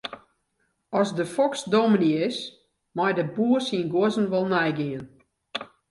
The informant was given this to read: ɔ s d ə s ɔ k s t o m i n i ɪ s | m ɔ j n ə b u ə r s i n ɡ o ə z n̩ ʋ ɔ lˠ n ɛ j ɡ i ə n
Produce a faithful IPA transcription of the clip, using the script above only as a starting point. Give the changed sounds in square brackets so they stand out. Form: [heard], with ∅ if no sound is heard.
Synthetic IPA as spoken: ɔ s d ə [f] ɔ k s [d] o m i n i ɪ s | m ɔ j [d] ə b u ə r s i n ɡ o ə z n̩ ʋ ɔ lˠ n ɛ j ɡ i ə n